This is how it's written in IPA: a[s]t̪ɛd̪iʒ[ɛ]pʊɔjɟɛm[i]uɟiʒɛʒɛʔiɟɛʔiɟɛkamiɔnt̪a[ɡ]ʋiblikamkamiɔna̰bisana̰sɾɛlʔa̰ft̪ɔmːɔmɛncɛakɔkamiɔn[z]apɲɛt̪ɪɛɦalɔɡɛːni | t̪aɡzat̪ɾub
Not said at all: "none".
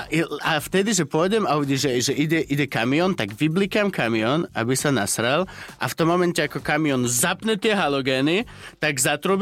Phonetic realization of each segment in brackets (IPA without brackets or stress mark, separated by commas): f, ɛ, a, ɡ, z